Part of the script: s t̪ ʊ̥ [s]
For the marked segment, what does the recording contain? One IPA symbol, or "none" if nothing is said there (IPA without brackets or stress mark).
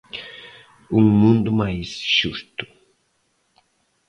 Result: none